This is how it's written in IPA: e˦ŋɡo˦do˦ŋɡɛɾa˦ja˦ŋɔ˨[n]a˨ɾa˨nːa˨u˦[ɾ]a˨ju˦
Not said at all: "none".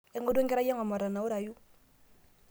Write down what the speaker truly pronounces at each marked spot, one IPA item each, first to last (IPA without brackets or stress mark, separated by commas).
m, ɾ